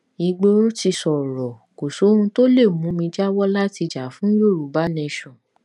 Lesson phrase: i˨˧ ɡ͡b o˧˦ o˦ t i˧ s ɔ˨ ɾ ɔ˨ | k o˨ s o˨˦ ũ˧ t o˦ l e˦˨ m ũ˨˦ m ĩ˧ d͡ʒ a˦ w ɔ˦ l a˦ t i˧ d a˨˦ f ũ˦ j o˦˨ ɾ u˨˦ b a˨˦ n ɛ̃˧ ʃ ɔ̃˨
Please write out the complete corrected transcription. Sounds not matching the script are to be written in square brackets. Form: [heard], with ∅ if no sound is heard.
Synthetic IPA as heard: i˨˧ ɡ͡b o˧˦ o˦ t i˧ s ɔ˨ ɾ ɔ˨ | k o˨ s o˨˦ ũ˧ t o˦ l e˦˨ m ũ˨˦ m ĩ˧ d͡ʒ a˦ w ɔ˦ l a˦ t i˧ [d͡ʒ] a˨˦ f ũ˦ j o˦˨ ɾ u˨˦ b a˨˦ n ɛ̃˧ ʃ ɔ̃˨